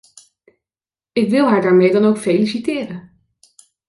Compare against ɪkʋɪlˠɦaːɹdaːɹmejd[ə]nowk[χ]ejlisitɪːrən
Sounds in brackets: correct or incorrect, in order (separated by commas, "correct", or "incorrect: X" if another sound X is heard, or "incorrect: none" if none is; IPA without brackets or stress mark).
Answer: incorrect: ɑ, incorrect: f